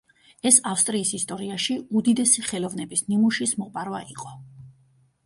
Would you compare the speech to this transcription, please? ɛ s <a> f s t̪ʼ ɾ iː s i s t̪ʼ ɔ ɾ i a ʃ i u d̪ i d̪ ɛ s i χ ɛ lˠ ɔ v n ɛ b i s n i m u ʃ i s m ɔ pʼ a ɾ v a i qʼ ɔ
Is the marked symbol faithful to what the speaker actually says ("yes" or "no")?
yes